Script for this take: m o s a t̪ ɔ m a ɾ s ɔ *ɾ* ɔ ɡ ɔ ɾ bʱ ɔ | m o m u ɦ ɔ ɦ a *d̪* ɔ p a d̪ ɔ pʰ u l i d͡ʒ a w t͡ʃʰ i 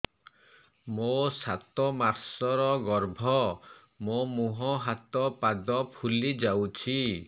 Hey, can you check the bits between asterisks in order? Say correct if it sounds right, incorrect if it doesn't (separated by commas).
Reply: correct, incorrect